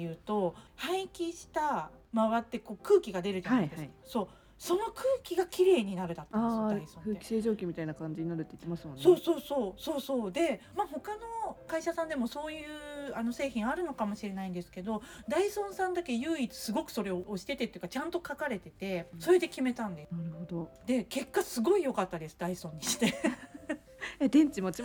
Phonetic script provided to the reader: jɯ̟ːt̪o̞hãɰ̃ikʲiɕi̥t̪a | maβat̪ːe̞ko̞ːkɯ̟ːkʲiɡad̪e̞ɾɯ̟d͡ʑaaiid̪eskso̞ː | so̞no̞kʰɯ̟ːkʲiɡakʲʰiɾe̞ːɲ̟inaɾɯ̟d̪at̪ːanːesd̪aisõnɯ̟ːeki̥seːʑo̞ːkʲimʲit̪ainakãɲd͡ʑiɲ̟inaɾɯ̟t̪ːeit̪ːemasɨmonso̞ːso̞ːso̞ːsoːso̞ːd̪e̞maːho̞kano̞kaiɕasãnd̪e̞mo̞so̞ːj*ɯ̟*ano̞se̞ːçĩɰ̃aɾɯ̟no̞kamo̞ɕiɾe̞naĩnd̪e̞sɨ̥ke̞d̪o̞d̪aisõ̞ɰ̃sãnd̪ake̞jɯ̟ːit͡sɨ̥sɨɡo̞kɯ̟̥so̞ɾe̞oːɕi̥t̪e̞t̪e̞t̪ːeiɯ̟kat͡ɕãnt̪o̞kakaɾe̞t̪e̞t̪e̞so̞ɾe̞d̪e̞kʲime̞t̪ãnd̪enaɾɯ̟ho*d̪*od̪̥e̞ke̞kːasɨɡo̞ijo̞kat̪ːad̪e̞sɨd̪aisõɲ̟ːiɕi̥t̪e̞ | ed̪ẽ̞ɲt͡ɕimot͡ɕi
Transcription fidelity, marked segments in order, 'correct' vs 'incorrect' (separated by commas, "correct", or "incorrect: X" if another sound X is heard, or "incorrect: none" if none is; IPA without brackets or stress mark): incorrect: ɯ̟ː, correct